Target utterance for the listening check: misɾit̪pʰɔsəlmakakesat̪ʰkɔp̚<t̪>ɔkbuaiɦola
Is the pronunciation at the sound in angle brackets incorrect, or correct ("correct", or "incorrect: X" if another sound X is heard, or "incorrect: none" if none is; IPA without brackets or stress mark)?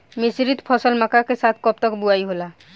correct